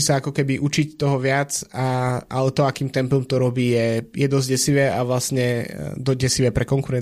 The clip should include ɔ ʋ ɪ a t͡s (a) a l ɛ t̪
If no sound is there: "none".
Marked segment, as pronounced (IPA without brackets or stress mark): a